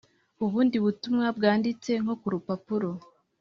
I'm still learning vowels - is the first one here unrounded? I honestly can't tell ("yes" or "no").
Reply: no